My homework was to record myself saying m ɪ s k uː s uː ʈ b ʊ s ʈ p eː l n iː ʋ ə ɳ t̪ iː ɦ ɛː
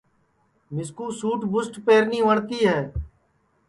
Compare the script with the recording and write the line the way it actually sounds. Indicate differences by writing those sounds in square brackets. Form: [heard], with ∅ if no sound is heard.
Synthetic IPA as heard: m ɪ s k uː s uː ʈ b ʊ s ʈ p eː [ɾ] n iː ʋ ə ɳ t̪ iː ɦ ɛː